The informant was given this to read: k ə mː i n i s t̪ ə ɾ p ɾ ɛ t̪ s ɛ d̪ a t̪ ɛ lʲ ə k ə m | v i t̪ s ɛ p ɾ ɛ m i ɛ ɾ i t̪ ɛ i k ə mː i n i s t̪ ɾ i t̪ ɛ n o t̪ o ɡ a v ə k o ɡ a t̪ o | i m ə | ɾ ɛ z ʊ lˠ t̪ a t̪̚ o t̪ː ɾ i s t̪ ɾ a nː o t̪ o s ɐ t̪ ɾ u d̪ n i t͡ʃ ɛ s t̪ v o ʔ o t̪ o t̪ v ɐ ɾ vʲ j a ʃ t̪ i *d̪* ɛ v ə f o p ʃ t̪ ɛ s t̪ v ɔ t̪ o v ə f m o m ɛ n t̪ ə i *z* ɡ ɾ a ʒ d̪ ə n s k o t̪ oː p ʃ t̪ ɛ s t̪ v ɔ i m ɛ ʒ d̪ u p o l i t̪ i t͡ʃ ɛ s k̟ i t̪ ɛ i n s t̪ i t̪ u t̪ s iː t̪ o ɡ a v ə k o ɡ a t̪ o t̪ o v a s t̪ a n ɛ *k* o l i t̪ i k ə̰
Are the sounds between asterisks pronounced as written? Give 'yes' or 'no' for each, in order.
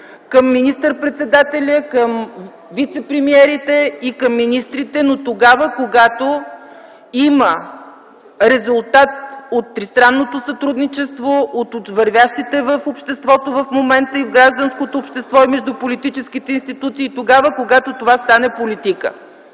no, no, no

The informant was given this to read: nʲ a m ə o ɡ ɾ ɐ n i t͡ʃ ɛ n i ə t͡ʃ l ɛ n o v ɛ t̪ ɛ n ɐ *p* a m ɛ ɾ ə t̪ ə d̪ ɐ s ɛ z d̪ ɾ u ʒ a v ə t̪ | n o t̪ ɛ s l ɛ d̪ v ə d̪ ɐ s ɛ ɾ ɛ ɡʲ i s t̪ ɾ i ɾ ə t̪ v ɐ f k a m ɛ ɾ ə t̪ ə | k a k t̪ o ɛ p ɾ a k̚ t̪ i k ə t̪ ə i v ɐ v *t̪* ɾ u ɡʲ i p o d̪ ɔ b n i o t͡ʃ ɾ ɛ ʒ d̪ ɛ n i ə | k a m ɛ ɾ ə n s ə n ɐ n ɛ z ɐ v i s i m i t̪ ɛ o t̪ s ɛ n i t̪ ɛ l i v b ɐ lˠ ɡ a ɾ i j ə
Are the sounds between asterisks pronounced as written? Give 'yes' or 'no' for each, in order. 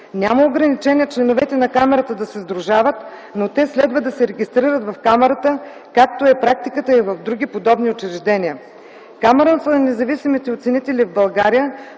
no, no

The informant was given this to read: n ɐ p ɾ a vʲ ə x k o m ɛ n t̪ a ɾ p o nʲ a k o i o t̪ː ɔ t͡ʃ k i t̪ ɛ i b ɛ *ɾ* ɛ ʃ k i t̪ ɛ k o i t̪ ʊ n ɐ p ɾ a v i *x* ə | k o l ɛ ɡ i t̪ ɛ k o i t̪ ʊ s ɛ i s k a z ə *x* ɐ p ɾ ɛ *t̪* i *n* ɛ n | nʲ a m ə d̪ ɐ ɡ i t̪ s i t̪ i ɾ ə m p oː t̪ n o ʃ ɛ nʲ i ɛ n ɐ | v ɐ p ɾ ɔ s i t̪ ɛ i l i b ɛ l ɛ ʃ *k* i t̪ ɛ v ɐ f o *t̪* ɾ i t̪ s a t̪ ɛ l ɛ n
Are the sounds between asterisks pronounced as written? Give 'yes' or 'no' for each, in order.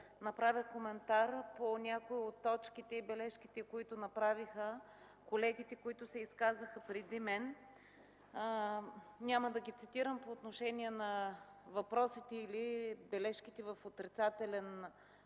no, yes, yes, no, no, yes, yes

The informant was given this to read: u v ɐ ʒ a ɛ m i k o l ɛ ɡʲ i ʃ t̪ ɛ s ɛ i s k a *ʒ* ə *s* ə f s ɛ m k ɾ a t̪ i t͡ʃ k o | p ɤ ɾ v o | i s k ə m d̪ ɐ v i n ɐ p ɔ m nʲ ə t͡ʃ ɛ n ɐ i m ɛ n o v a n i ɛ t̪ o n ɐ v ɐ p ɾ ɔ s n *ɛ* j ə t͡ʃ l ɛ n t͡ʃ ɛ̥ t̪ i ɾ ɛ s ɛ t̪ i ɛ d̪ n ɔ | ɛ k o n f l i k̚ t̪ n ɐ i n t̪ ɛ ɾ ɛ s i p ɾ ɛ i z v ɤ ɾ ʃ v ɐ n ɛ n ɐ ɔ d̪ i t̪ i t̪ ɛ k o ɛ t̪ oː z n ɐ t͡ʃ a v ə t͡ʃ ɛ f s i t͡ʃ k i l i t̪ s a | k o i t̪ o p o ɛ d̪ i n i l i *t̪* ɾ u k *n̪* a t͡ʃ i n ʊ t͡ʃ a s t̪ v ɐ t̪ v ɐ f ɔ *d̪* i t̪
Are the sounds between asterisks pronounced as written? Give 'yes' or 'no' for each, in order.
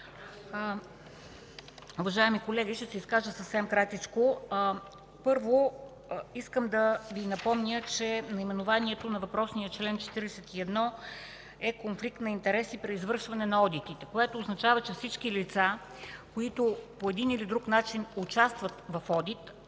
yes, yes, no, no, yes, yes

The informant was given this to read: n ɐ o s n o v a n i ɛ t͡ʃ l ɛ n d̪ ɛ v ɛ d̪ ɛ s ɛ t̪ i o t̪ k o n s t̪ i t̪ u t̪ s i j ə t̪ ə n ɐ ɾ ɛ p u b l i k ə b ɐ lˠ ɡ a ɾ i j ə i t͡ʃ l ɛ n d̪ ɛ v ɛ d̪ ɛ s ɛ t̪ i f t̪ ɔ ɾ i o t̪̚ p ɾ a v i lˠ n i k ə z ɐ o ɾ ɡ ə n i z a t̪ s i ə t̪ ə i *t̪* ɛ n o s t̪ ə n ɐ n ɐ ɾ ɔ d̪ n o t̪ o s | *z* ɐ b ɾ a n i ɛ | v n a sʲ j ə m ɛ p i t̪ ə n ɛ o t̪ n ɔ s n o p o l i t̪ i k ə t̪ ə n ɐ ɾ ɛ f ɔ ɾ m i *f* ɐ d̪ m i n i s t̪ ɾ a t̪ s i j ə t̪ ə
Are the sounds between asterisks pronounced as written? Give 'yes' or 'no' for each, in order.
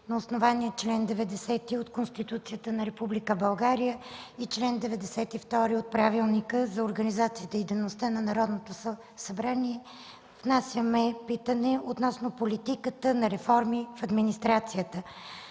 no, no, yes

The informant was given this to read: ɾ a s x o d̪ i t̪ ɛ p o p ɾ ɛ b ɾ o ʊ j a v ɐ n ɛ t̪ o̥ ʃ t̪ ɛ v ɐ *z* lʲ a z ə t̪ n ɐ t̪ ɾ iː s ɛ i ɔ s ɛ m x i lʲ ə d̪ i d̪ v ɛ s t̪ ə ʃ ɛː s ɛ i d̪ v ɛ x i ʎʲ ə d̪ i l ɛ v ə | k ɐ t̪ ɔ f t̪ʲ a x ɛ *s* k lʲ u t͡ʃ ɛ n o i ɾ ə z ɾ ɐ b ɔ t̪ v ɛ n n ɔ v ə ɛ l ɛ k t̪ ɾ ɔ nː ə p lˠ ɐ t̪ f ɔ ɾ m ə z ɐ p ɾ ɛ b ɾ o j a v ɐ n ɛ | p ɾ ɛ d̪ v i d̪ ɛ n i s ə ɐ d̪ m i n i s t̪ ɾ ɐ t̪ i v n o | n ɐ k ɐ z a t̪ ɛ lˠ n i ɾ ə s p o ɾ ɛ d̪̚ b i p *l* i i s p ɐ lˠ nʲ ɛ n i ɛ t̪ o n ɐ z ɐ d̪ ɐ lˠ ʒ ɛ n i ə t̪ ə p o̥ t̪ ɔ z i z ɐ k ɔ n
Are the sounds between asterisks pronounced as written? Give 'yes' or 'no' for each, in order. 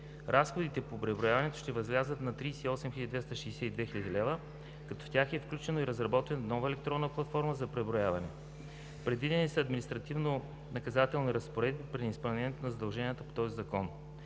yes, no, no

